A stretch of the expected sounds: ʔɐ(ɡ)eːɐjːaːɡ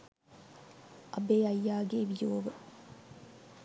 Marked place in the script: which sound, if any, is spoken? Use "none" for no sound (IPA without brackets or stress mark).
b